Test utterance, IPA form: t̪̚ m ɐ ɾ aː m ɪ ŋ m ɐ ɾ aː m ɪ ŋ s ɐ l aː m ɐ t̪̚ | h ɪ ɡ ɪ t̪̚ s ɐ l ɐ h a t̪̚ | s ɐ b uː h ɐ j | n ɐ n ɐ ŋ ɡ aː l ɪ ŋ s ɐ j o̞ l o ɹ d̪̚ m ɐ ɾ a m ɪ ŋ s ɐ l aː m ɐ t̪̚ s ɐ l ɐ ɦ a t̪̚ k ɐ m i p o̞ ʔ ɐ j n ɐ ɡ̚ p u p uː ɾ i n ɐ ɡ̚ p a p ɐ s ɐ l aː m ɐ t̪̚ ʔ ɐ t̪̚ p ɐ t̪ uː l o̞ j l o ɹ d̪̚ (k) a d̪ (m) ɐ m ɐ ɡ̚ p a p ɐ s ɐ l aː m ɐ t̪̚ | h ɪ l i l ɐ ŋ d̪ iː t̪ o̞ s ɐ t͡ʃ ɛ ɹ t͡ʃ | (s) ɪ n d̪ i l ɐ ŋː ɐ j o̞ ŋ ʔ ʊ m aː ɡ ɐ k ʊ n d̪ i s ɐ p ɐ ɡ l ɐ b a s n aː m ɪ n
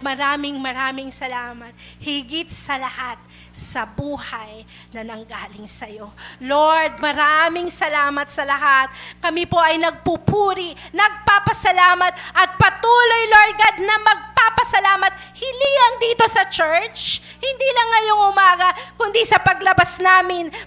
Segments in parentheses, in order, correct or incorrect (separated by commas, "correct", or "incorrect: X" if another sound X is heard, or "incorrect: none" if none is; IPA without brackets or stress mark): incorrect: ɡ, incorrect: n, incorrect: h